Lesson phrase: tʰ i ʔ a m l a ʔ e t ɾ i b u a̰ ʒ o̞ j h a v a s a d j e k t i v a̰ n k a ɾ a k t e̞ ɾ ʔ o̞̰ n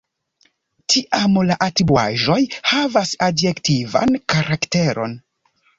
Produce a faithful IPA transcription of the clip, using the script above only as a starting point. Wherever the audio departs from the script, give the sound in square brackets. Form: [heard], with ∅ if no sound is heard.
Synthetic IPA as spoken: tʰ i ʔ a m l a ʔ [a] t ɾ i b u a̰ ʒ o̞ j h a v a s a d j e k t i v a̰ n k a ɾ a k t e̞ ɾ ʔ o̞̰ n